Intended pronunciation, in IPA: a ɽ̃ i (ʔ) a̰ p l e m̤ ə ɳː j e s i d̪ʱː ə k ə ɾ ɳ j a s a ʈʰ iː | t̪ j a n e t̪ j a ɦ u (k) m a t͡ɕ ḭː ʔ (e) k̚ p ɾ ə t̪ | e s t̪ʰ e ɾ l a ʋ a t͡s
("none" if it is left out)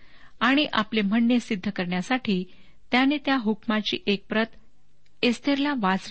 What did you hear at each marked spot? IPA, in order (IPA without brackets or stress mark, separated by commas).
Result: ʔ, k, e